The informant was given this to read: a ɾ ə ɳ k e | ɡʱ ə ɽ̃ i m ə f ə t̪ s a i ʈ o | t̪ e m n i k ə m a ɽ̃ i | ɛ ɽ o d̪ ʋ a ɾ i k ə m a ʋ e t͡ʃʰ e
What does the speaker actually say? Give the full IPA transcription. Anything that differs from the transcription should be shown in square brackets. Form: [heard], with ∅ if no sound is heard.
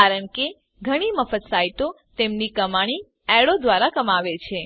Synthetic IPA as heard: a ɾ ə ɳ k e | ɡʱ ə ɽ̃ i m ə f ə t̪ s a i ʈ o | t̪ e m n i k ə m a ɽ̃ i | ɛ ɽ o d̪ ʋ a ɾ [a] k ə m a ʋ e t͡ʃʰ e